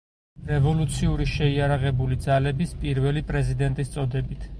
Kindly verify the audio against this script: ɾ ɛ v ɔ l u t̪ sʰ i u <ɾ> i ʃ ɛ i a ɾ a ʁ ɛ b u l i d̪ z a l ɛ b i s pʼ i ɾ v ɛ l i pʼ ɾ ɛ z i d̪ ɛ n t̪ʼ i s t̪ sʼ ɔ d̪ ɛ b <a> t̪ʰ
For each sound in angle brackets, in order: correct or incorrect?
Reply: correct, incorrect

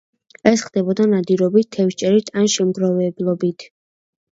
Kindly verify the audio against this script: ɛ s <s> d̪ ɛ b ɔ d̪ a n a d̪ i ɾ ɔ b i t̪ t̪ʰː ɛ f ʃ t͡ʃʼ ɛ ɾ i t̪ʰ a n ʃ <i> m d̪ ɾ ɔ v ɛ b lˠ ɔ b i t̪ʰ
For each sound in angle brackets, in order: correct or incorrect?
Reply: incorrect, incorrect

